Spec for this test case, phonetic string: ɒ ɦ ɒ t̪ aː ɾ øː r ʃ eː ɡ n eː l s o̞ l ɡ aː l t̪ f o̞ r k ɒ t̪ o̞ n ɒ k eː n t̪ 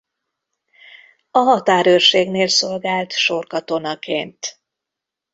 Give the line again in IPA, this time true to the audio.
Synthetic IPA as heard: ɒ ɦ ɒ t̪ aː ɾ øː r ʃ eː ɡ n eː l s o̞ l ɡ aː l t̪ ʃ o̞ r k ɒ t̪ o̞ n ɒ k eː n t̪